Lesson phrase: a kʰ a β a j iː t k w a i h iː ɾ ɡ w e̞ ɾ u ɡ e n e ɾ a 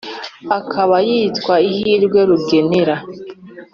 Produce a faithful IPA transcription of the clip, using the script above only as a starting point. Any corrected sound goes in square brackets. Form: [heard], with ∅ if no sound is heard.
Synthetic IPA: a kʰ a β a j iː t k w a i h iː ɾ ɡ w e̞ ɾ u ɡ e n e ɾ a